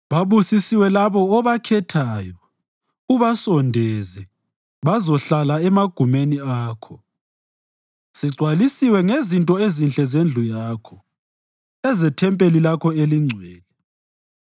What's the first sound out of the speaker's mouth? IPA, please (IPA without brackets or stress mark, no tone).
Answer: β